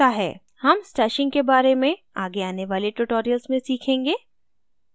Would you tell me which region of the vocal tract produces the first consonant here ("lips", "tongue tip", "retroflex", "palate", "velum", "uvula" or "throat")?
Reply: throat